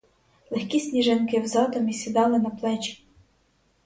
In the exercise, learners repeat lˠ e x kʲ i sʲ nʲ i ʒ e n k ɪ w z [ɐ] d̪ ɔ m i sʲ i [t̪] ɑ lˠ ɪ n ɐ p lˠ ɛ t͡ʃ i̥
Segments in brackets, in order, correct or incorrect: incorrect, incorrect

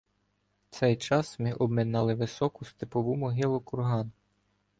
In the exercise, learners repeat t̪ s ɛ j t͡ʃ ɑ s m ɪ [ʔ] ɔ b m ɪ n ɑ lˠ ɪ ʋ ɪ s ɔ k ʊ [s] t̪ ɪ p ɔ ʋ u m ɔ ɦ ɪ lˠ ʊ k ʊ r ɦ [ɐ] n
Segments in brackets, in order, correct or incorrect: correct, correct, incorrect

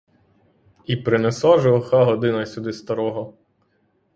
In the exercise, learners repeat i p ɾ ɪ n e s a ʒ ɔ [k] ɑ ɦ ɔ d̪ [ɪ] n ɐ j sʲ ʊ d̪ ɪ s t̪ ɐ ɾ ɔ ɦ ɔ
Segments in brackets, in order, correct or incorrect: incorrect, correct

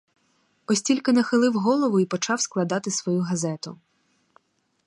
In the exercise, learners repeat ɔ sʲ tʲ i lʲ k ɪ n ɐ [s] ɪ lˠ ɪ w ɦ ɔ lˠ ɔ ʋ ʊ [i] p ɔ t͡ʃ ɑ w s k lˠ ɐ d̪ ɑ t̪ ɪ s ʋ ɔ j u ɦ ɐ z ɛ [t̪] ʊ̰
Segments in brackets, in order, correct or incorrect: incorrect, correct, correct

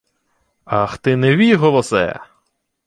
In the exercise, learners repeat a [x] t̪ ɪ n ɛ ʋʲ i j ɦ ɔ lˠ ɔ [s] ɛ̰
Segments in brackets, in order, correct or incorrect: correct, correct

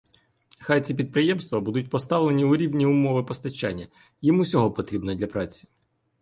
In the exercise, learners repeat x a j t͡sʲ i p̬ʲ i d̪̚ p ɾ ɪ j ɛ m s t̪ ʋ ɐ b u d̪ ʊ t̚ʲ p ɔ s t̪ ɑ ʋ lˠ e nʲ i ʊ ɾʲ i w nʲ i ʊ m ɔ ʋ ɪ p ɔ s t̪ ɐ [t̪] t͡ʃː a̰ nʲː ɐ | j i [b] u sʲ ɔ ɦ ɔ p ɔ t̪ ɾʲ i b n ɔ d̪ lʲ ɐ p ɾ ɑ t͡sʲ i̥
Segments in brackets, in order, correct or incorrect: incorrect, incorrect

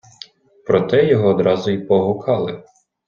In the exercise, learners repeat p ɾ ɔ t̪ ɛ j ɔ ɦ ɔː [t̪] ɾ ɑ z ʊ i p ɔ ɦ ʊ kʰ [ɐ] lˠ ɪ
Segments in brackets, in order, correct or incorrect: incorrect, incorrect

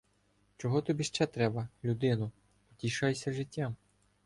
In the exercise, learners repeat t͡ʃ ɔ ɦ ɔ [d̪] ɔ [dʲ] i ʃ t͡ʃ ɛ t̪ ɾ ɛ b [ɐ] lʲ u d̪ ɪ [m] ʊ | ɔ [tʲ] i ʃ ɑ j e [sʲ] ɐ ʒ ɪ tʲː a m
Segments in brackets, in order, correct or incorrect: incorrect, incorrect, correct, incorrect, correct, correct

